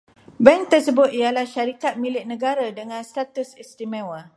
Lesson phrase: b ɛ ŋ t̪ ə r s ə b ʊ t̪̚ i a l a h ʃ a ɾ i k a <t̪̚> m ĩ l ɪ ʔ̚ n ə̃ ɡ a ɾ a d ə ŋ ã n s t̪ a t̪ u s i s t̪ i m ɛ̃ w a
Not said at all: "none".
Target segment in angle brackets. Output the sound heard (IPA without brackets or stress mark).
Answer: t̪̚